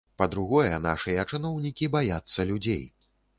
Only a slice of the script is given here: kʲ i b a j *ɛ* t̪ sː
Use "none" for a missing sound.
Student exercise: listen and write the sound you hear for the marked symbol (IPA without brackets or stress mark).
a